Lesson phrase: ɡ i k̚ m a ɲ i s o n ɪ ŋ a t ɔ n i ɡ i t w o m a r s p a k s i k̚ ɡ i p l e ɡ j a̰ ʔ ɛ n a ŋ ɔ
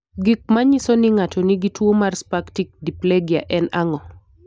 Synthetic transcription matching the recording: ɡ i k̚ m a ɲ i s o n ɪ ŋ a t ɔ n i ɡ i t w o m a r s p a k t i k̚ d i p l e ɡ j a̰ ʔ ɛ n a ŋ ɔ